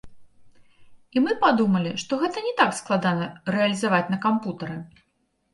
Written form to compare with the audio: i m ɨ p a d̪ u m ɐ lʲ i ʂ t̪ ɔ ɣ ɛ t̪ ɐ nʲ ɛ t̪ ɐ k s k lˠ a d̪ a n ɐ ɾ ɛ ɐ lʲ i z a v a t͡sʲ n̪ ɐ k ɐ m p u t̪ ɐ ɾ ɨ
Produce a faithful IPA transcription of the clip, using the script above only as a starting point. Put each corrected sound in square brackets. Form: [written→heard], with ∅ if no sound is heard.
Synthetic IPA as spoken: i m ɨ p a d̪ u m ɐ lʲ i ʂ t̪ ɔ ɣ ɛ t̪ ɐ nʲ ɛ t̪ [ɐ→a] k s k lˠ a d̪ a n ɐ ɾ ɛ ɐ lʲ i z a v a t͡sʲ n̪ ɐ k [ɐ→a] m p u t̪ ɐ ɾ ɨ